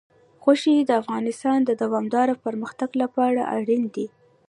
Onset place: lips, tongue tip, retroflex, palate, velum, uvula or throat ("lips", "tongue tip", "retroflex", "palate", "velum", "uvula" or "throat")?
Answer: velum